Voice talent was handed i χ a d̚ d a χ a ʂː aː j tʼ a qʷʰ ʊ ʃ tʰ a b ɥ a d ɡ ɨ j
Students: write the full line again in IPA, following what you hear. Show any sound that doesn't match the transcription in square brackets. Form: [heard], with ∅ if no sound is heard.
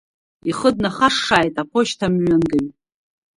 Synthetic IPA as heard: i χ [ə] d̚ [n] a χ a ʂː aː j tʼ a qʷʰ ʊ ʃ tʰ a [m] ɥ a [n] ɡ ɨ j